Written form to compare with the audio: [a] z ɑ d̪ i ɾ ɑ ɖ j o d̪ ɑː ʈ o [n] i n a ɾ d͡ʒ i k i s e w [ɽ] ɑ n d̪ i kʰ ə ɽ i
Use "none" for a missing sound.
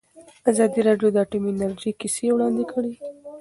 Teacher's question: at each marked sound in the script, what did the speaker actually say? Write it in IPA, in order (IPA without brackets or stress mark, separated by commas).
a, m, ɽ